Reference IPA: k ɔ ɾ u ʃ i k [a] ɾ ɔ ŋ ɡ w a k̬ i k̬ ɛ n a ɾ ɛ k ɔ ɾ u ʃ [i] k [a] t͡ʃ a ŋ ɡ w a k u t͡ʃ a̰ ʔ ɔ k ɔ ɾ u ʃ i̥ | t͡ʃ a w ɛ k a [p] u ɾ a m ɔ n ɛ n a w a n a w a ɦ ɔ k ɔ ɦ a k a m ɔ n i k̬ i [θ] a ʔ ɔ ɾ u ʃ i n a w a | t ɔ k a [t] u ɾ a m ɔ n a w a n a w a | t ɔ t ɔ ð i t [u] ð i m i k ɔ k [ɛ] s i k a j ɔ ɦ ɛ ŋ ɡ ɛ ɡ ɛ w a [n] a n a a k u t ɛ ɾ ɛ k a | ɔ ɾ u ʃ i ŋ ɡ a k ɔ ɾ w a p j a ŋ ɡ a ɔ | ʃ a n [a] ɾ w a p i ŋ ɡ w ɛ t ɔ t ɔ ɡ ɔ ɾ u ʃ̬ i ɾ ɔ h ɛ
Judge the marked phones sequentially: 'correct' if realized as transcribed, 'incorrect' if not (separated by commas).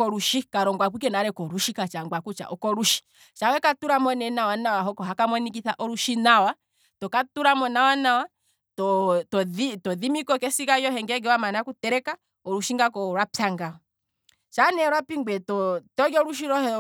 correct, correct, correct, incorrect, correct, correct, incorrect, correct, incorrect, incorrect